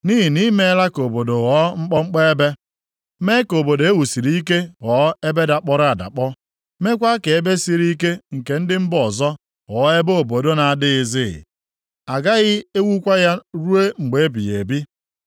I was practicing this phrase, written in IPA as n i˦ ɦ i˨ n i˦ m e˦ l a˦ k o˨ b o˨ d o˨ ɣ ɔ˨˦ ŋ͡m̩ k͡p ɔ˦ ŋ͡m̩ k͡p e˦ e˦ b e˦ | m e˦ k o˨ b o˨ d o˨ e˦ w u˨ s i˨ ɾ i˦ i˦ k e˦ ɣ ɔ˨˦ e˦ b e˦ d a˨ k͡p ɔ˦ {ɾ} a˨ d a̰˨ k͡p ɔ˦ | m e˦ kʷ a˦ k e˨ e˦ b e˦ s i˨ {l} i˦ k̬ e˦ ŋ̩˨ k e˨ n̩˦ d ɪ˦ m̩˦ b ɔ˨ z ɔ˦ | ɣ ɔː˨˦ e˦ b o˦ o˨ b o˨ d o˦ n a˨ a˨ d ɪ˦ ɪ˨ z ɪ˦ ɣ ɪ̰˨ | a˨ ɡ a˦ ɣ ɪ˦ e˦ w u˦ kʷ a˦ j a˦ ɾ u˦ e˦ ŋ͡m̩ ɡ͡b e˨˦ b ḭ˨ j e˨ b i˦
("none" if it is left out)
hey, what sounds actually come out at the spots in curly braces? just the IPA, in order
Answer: ɾ, ɾ

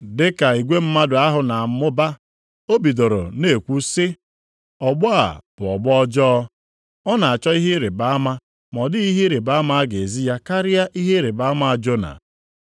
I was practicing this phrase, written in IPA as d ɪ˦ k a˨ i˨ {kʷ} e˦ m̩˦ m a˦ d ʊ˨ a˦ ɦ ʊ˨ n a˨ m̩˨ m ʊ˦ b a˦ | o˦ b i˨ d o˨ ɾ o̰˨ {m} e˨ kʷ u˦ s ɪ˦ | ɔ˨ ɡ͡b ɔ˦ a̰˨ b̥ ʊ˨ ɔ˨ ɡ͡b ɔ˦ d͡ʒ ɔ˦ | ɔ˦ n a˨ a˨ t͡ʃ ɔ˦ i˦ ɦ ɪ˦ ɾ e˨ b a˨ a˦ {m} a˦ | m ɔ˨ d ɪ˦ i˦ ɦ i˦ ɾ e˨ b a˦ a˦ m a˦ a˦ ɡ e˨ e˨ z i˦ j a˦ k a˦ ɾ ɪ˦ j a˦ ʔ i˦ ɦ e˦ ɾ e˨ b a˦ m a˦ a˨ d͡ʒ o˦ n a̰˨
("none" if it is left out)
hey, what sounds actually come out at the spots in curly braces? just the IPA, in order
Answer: ɡʷ, n, m

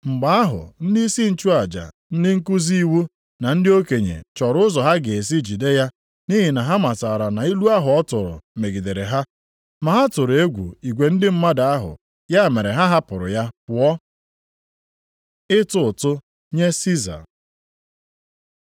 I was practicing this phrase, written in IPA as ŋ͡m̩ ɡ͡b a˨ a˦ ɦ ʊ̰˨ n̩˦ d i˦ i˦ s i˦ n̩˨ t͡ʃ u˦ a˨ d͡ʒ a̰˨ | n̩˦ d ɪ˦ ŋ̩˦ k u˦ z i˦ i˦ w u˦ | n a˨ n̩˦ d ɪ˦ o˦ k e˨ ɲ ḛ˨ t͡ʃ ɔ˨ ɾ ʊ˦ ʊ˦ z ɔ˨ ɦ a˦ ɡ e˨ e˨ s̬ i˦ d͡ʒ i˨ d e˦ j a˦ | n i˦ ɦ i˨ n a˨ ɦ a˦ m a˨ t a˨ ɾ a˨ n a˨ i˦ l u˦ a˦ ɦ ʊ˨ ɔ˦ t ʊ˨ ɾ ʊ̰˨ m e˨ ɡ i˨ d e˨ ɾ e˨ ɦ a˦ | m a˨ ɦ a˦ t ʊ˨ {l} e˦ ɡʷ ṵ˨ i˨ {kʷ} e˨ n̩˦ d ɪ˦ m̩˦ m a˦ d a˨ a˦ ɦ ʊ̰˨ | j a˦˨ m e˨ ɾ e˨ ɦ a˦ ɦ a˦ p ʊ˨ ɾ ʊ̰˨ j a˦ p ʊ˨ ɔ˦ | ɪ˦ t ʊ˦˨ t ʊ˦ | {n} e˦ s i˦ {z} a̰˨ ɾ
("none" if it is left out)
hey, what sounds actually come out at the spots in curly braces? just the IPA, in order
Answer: ɾ, ɡʷ, ɲ, z

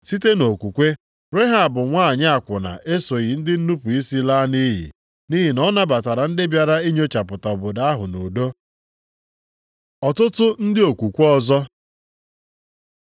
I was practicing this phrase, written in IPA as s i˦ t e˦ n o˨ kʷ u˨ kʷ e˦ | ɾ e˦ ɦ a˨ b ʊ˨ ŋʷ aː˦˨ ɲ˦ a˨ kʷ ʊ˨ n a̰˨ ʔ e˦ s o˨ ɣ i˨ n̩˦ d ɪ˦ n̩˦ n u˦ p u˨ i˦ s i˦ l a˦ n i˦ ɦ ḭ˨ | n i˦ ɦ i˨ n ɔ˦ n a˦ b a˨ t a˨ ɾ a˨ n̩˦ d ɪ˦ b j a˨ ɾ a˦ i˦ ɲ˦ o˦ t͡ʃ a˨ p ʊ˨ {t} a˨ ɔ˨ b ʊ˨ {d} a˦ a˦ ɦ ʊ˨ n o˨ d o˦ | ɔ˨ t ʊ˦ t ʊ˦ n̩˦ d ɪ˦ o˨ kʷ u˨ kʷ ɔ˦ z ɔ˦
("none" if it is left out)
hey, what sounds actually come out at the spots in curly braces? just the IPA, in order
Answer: t, d

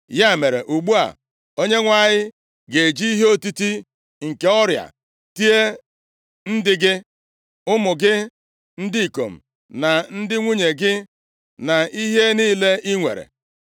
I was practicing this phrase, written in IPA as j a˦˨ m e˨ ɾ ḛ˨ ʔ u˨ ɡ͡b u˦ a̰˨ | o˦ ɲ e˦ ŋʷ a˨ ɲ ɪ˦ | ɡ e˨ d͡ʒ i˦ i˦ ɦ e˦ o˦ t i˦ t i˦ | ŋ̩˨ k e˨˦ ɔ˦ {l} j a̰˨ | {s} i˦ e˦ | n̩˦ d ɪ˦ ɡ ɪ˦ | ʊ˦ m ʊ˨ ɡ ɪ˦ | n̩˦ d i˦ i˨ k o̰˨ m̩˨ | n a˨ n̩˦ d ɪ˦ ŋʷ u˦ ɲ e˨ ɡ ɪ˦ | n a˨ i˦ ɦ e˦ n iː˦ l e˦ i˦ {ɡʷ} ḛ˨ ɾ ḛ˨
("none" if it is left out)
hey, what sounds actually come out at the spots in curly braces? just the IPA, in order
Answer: ɾ, t, ŋʷ

